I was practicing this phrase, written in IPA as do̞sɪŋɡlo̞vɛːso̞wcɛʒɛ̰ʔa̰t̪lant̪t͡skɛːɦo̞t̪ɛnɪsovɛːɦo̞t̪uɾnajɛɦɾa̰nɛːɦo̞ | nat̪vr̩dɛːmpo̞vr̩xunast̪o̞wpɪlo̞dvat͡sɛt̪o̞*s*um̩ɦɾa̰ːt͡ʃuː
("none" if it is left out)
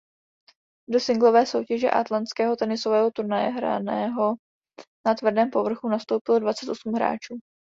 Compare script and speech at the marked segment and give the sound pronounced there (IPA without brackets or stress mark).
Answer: s